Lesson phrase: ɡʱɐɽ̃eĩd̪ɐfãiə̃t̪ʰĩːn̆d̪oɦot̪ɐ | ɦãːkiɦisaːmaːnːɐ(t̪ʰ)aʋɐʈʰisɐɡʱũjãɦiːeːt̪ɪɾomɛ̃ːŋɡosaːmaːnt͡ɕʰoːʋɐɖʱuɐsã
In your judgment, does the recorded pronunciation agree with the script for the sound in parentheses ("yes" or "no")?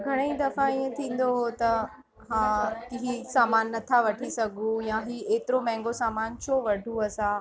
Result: yes